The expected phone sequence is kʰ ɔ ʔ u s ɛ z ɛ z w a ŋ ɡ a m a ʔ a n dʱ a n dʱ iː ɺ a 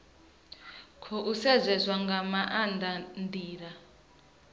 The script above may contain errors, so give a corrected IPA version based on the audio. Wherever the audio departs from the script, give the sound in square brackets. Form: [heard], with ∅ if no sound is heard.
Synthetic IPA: kʰ ɔ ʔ u s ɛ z ɛ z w a ŋ ɡ a m a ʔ a n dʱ a n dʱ iː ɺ a